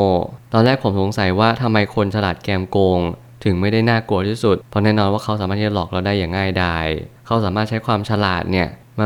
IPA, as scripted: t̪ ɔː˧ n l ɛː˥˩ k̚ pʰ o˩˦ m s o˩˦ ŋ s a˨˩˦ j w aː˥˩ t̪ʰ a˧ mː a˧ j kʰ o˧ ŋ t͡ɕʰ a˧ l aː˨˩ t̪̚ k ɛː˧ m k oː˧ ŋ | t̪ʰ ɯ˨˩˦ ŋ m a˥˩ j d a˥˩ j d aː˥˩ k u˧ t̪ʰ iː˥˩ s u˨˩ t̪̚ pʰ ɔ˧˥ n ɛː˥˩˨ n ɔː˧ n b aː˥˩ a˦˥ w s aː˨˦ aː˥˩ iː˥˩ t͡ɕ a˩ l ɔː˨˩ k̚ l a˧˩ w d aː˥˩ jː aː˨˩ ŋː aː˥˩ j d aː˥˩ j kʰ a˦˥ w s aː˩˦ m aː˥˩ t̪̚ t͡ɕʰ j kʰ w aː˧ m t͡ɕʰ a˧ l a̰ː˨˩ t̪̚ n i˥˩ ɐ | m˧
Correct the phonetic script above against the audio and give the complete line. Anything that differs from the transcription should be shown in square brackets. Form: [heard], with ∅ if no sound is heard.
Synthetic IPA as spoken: t̪ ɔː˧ n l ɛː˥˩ k̚ pʰ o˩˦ m s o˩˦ ŋ s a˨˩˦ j w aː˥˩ t̪ʰ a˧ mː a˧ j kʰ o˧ [n] t͡ɕʰ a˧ l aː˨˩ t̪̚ k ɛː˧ m k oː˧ ŋ | t̪ʰ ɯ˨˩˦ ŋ m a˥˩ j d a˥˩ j [n] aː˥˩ k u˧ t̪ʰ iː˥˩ s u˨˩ t̪̚ pʰ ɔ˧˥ n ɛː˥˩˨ n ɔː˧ n [w] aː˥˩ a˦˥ w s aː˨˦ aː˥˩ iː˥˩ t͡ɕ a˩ l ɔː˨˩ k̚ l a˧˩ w d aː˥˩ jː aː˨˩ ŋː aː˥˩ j d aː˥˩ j kʰ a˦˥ w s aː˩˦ m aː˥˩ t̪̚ t͡ɕʰ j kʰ w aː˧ m t͡ɕʰ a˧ l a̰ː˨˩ t̪̚ n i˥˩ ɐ | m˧